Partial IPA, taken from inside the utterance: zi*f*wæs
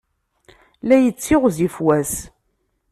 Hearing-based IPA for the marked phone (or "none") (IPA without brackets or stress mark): f